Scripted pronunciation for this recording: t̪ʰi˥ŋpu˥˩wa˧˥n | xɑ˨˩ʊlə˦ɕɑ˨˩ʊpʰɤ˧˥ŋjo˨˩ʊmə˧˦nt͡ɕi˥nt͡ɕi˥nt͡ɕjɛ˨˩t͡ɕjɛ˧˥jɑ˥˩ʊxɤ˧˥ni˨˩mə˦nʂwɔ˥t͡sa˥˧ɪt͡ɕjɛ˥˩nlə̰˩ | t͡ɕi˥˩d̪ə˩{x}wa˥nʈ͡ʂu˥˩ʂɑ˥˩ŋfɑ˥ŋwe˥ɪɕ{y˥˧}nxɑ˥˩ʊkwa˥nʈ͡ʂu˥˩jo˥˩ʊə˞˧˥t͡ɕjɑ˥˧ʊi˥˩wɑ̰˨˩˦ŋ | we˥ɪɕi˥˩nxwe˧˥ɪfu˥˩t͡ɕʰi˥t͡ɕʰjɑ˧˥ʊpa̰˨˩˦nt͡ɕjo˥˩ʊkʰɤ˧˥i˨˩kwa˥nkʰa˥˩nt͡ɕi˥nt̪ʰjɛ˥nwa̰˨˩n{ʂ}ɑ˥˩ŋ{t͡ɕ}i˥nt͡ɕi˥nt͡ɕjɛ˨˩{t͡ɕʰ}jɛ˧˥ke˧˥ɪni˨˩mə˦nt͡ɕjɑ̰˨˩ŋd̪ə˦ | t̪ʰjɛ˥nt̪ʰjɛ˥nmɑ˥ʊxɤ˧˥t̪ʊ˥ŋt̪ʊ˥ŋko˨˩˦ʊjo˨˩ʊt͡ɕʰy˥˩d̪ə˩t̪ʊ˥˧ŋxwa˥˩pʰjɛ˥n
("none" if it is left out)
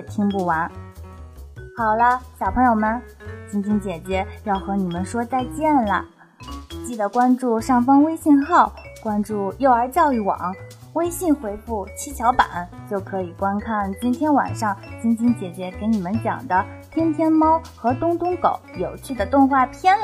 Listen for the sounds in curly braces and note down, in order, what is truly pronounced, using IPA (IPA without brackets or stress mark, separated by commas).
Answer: k, i˥˧, ʂ, t͡ɕ, t͡ɕ